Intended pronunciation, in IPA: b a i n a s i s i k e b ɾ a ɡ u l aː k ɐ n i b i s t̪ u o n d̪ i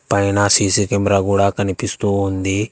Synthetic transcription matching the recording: p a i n a s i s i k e m ɾ a ɡ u ɽ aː k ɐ n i p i s t̪ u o n d̪ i